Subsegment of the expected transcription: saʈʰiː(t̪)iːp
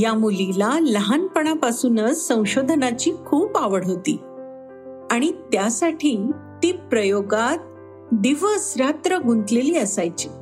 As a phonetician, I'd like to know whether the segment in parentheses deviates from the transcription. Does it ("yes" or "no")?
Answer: no